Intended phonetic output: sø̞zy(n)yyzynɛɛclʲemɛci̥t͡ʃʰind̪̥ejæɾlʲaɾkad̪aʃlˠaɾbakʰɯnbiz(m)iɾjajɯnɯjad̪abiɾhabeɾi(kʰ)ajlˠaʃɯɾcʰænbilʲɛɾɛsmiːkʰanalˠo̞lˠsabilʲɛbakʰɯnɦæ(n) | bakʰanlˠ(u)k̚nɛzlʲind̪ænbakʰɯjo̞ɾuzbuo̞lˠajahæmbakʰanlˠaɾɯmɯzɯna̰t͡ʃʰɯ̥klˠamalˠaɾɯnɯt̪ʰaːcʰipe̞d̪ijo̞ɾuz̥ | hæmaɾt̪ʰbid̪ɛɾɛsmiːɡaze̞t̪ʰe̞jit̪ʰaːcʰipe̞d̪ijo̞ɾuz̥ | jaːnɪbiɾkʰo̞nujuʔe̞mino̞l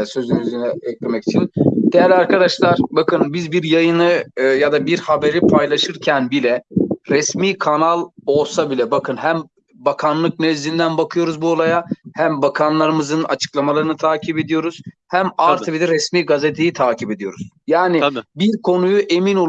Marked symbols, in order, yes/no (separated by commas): yes, no, no, no, no